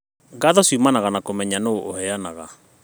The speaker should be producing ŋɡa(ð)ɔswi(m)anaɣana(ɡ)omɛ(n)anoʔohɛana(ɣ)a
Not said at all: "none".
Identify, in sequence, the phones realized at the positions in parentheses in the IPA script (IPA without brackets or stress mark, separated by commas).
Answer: ð, m, k, ɲ, ɣ